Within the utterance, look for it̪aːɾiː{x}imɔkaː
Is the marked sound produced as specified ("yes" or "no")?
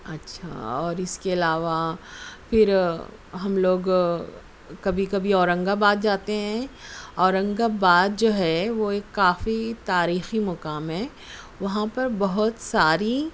yes